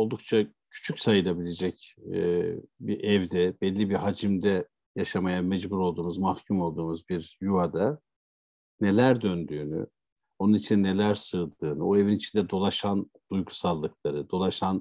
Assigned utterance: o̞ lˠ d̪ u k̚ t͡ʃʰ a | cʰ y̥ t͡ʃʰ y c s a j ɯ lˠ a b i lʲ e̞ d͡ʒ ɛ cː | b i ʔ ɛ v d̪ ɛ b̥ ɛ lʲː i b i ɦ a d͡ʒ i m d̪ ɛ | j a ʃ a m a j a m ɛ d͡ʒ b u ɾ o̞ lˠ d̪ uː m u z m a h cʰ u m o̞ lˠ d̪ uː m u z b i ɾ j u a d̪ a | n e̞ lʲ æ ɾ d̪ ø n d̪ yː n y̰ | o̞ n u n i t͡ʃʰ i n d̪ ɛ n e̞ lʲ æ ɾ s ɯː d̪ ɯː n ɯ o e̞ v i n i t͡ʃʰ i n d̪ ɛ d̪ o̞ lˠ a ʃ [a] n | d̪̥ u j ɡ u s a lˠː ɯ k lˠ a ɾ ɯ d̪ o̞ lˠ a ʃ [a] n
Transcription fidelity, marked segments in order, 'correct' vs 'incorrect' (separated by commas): correct, correct